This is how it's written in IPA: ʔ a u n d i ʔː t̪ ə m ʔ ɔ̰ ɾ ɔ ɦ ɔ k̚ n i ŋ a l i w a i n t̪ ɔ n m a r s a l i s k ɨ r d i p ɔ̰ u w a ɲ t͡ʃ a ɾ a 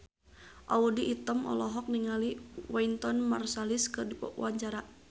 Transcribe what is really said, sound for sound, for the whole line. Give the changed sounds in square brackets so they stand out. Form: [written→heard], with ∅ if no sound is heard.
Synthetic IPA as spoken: ʔ a u [n→∅] d i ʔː t̪ ə m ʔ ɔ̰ [ɾ→l] ɔ ɦ ɔ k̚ n i ŋ a l i w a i n t̪ ɔ n m a r s a l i s k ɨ r d i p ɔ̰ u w a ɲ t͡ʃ a ɾ a